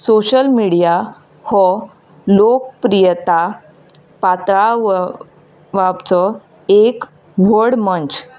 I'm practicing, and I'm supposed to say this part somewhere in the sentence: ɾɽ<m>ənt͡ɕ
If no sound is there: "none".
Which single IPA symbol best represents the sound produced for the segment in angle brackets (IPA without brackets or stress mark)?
m